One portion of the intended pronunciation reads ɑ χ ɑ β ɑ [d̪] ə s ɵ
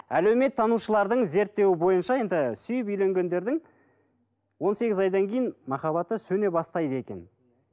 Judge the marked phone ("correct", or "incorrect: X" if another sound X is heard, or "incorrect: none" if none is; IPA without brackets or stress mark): incorrect: t̪